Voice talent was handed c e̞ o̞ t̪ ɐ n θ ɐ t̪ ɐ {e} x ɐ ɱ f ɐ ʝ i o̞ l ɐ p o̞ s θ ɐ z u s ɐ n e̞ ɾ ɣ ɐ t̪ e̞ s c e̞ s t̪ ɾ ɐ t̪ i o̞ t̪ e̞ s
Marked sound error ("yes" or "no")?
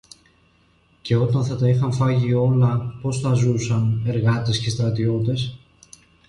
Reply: yes